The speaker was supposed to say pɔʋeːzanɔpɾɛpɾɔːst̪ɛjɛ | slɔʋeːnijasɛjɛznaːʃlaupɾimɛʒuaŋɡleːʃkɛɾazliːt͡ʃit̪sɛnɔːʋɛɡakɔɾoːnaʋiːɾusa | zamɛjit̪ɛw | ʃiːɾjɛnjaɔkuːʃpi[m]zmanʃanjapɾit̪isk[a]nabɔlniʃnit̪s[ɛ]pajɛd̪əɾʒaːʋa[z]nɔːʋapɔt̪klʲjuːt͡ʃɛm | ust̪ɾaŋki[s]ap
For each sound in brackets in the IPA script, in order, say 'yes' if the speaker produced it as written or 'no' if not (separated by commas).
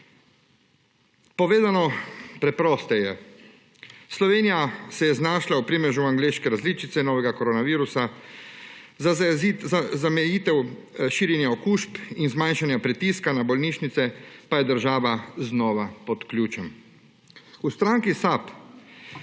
no, yes, yes, yes, yes